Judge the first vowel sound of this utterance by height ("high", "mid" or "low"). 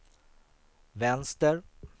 mid